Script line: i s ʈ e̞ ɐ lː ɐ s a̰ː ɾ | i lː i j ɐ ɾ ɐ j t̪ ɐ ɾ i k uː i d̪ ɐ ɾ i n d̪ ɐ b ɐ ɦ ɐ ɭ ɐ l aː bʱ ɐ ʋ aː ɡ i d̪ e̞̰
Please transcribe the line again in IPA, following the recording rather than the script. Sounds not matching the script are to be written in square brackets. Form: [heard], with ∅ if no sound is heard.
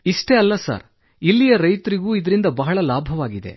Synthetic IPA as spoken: i [ʂ] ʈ e̞ ɐ lː ɐ s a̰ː ɾ | i lː i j ɐ ɾ ɐ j t̪ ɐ ɾ i [ɡ] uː i d̪ ɐ ɾ i n d̪ ɐ b ɐ ɦ ɐ ɭ ɐ l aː bʱ ɐ ʋ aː ɡ i d̪ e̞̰